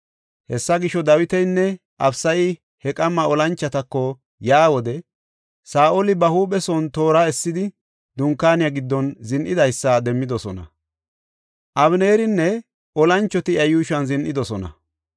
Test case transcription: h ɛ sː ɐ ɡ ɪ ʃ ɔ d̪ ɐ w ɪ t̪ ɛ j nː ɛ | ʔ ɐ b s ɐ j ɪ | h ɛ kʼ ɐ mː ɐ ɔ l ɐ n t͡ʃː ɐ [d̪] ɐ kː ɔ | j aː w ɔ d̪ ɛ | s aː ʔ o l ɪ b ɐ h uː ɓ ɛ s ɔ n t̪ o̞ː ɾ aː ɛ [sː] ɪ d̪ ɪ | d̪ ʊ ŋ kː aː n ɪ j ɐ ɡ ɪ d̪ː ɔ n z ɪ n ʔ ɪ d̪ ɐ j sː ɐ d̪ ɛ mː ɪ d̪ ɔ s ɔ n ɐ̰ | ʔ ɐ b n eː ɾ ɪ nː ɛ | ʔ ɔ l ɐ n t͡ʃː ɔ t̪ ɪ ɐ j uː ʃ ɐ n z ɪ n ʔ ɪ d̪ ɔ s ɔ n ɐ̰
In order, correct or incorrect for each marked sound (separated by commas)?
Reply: incorrect, correct